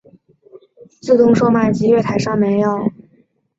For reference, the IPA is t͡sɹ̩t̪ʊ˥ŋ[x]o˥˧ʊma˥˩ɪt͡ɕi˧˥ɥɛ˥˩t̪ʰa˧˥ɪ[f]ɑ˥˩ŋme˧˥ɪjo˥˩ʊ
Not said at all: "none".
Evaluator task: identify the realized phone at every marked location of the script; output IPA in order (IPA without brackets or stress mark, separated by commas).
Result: ʂ, ʂ